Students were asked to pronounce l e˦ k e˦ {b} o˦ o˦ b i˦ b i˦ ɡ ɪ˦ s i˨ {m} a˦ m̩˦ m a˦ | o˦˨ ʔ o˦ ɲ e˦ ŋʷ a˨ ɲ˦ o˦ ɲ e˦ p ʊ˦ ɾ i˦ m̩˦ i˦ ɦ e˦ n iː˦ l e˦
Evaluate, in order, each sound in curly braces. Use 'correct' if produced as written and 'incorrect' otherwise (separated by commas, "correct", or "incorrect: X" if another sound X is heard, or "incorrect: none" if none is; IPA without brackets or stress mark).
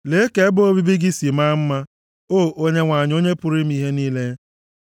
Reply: correct, correct